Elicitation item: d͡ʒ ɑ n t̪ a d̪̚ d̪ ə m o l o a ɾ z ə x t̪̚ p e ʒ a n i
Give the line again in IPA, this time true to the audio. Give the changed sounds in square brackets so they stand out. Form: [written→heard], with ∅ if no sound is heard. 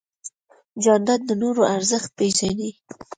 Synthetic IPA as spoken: d͡ʒ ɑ n [t̪→d̪] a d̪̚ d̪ ə [m→n] o [l→ɾ] o a ɾ z ə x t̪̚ p e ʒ a n i